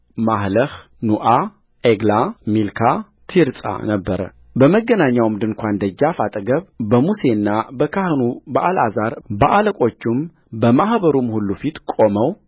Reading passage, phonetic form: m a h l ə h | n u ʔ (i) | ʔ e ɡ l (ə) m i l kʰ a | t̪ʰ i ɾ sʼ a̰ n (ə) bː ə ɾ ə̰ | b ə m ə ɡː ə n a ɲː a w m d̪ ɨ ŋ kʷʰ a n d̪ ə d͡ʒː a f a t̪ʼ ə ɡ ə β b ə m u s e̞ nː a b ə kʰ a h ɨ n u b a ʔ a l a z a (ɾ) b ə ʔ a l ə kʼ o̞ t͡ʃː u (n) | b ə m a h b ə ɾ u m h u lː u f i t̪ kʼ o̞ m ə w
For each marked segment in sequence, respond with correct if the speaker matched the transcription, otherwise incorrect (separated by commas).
incorrect, incorrect, correct, correct, incorrect